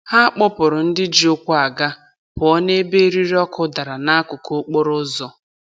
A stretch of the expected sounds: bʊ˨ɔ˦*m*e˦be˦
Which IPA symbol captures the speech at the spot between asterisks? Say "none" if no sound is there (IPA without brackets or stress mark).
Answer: n